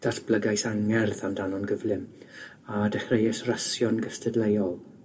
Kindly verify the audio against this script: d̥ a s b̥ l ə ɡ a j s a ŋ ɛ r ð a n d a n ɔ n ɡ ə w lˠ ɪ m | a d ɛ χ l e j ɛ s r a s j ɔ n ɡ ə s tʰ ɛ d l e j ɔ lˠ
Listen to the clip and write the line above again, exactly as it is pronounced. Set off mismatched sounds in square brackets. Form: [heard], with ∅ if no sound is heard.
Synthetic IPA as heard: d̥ a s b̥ l ə ɡ a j s a ŋ ɛ r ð a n d a n ɔ n ɡ ə [v] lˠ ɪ m | a d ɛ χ [r] e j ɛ s r a s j ɔ n ɡ ə s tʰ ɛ d l e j ɔ lˠ